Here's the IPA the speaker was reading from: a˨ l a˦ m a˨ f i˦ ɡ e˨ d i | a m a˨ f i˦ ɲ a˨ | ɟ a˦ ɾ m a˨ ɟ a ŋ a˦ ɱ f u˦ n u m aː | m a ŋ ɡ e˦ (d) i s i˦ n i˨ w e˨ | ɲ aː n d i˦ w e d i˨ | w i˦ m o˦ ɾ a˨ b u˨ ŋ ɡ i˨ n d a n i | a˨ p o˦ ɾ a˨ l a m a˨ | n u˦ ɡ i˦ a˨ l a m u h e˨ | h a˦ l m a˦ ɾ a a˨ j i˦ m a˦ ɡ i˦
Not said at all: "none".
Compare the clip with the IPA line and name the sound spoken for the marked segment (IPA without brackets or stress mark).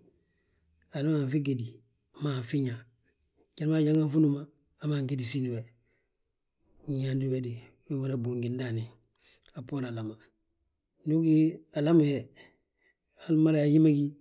d